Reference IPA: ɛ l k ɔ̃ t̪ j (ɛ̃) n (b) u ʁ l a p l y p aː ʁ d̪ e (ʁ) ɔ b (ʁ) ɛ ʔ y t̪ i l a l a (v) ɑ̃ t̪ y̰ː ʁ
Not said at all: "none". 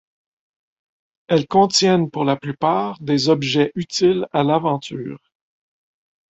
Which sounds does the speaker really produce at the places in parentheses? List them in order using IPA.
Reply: ɛ, p, z, ʒ, v

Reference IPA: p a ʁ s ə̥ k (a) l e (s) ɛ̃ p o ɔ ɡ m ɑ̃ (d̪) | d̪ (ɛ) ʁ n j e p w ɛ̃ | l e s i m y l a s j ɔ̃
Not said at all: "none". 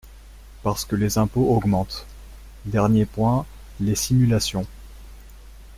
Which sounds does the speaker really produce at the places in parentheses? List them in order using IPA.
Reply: ə, z, t̪, ɛ

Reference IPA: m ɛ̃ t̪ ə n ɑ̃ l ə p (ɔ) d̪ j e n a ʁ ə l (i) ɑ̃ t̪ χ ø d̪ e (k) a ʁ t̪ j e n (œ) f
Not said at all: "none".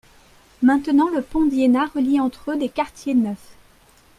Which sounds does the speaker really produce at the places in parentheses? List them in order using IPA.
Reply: ɔ̃, i, k, œ

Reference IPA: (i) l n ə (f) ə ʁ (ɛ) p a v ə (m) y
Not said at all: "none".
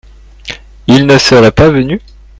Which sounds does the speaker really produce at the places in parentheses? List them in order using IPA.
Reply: i, s, ɛ, n

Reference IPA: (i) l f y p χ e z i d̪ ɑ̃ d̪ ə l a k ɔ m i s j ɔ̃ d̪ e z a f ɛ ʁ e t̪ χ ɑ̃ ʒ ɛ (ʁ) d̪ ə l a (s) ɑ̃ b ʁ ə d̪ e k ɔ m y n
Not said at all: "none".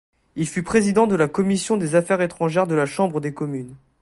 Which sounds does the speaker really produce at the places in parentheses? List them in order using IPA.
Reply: i, ʁ, ʃ

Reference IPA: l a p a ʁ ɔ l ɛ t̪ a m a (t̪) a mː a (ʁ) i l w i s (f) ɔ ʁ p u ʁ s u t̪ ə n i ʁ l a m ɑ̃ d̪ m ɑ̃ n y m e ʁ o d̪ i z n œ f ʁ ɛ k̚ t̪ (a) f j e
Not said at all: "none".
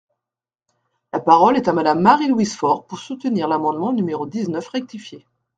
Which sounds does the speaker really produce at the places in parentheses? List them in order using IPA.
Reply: d̪, ʁ, f, i

